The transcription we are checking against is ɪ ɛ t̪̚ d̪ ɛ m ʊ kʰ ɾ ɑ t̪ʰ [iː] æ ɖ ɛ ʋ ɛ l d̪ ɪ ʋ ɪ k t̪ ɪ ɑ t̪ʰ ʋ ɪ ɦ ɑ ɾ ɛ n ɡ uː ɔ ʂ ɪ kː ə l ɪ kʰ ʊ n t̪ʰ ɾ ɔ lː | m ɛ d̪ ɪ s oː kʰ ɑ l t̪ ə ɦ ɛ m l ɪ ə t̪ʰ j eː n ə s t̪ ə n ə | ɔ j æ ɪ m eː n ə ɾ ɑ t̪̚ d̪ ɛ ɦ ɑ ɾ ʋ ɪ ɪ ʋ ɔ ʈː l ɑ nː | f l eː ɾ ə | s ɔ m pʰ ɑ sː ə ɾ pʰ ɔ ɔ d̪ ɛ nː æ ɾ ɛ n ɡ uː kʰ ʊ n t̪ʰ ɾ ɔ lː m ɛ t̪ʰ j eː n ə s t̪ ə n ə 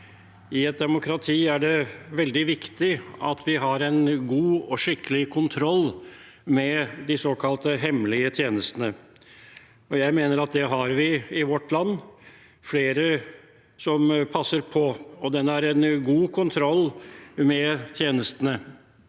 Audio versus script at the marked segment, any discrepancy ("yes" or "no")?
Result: no